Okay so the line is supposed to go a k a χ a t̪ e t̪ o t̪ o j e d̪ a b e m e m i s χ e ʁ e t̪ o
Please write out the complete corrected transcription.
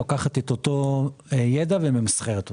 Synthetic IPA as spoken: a k a χ a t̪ e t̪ o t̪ o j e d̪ a v e m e m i s χ e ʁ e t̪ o